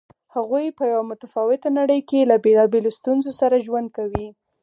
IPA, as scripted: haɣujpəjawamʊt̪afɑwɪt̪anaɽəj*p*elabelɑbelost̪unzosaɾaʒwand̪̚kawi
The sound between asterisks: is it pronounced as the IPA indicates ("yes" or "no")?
no